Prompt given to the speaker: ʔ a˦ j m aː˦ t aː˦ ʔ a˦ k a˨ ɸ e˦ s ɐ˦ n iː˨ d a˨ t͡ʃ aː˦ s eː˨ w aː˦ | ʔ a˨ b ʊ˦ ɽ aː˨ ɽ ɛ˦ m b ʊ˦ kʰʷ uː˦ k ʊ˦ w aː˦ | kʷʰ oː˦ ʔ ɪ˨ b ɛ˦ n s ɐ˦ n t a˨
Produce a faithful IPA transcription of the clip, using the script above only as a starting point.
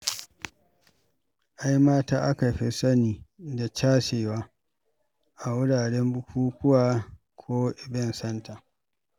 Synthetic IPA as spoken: ʔ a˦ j m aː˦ t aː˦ ʔ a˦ k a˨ ɸ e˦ s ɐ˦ n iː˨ d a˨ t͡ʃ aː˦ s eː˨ w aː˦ | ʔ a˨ w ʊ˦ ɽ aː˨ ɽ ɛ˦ m b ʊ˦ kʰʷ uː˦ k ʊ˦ w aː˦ | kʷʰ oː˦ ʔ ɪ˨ b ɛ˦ n s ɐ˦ n t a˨